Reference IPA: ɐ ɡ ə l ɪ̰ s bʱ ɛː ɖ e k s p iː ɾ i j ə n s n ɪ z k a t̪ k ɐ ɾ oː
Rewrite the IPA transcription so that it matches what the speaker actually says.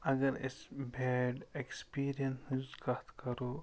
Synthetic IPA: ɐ ɡ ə ɾ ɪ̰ s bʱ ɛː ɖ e k s p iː ɾ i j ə n s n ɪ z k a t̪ k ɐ ɾ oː